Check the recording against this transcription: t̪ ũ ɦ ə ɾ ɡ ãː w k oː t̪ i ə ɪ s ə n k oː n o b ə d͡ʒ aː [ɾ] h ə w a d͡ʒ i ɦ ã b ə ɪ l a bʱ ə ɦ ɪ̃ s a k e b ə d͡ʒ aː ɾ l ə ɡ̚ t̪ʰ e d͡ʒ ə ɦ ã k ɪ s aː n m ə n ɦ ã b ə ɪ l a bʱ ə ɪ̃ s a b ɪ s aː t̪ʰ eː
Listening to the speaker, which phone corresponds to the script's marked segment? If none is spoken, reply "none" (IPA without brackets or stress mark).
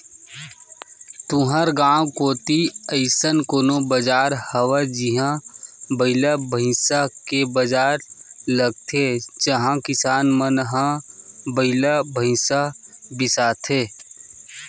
ɾ